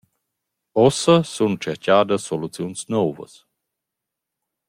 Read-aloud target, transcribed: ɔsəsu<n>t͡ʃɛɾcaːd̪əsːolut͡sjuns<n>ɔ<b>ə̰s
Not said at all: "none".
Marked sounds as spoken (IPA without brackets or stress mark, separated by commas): n, n, v